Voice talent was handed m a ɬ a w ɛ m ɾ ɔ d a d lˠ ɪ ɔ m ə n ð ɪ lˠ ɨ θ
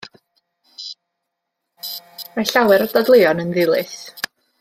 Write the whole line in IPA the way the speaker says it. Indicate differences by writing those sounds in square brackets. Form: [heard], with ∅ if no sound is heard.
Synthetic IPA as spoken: m a ɬ a w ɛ [∅] ɾ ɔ d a d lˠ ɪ ɔ [n] ə n ð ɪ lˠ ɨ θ